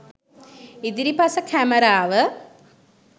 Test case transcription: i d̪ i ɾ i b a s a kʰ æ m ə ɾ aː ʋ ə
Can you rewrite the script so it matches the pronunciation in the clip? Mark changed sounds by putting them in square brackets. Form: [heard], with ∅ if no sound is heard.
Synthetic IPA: i d̪ i ɾ i [p] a s [ə] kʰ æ m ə ɾ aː ʋ ə